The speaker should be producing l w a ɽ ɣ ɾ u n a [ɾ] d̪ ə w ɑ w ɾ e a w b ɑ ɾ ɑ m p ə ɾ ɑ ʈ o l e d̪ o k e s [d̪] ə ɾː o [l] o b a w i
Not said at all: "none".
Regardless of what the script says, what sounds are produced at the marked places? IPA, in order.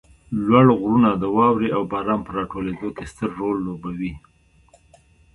none, t̪, lː

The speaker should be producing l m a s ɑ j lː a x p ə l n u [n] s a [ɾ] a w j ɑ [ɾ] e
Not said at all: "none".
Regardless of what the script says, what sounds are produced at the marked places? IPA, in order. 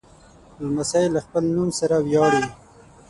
m, ɾ, ɽ

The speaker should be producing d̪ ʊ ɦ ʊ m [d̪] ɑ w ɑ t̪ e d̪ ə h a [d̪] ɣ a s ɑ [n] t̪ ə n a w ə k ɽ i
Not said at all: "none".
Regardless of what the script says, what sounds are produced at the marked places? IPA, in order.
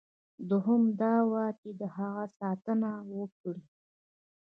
d̪, none, none

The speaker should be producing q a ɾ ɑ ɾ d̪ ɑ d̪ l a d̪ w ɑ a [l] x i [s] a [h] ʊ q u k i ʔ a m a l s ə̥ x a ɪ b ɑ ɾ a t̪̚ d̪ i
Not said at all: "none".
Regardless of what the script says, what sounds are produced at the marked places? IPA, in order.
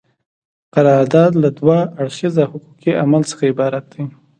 ɽ, z, h

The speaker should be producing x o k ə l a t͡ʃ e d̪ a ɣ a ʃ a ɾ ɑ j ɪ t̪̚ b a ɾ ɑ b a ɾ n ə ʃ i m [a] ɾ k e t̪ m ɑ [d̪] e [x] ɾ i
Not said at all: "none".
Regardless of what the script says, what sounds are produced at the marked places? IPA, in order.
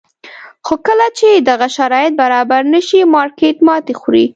ɑ, t̪, x

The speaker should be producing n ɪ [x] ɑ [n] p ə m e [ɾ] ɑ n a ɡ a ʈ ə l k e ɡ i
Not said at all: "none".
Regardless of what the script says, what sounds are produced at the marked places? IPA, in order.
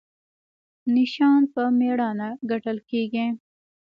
ʃ, n, ɽ

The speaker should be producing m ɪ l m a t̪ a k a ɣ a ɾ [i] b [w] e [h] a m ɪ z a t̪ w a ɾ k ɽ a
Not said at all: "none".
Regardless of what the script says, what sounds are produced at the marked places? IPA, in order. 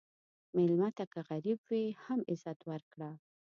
i, w, h

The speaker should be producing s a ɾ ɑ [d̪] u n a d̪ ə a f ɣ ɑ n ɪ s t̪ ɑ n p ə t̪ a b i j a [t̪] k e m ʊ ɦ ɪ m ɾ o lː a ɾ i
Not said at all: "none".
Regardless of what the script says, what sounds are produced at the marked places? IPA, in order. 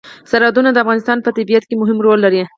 d̪, t̪

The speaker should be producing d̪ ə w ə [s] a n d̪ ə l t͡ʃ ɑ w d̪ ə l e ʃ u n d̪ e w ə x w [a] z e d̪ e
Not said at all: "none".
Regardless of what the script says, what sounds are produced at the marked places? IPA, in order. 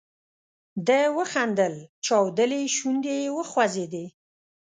x, a

